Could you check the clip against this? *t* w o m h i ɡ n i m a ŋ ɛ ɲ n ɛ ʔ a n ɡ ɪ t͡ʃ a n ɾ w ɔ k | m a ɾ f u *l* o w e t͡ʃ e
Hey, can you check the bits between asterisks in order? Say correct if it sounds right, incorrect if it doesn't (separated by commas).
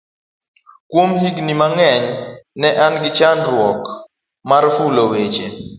incorrect, correct